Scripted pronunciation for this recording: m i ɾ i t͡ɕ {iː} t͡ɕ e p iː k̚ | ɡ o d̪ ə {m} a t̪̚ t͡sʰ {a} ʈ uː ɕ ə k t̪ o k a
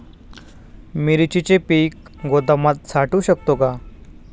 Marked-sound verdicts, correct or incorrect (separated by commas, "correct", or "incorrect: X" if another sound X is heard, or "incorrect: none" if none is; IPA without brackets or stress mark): incorrect: i, correct, correct